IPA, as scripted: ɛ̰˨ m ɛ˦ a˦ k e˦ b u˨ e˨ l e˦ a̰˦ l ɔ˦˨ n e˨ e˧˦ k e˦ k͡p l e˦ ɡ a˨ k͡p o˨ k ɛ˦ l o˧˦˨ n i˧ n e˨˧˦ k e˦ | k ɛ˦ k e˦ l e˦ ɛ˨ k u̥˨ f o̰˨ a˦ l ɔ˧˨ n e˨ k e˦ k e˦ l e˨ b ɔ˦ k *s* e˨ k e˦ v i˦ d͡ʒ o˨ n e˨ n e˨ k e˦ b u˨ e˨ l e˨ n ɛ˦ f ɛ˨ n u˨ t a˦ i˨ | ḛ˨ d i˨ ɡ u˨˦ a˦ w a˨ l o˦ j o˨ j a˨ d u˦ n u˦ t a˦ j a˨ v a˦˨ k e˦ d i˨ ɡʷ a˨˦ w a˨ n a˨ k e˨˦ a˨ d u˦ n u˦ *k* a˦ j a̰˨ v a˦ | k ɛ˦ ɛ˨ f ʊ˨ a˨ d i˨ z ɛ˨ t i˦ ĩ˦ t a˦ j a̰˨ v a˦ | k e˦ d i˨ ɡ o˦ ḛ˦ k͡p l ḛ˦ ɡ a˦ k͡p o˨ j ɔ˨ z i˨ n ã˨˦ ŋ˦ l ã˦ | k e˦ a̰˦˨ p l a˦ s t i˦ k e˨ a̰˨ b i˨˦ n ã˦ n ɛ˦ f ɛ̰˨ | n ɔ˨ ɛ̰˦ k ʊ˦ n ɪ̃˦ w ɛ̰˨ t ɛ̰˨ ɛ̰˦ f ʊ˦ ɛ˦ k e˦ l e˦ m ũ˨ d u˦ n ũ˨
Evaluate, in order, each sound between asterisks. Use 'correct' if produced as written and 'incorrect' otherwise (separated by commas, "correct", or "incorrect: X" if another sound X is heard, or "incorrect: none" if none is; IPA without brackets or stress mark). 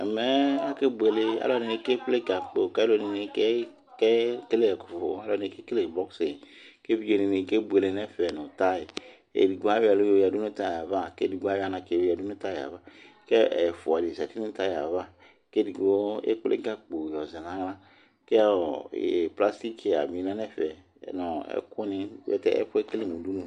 correct, incorrect: t